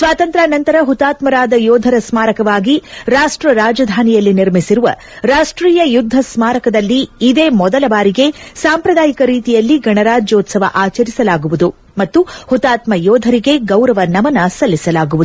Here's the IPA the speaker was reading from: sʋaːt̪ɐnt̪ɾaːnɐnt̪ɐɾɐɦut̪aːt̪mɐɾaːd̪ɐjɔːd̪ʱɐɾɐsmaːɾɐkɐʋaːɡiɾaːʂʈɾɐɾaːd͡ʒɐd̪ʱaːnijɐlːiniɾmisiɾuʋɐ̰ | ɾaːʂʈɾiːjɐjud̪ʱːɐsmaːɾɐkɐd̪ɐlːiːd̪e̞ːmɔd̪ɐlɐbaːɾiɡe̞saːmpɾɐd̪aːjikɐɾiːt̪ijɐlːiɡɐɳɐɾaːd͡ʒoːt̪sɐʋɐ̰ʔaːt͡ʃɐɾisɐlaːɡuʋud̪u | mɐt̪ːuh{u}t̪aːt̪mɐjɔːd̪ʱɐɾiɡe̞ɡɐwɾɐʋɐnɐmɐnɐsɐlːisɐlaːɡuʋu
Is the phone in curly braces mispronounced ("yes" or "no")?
no